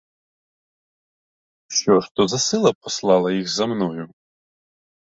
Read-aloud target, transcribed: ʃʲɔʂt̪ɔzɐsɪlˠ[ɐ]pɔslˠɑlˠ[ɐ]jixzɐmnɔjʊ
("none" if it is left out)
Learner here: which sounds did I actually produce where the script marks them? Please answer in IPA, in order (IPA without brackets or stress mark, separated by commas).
ɐ, ɐ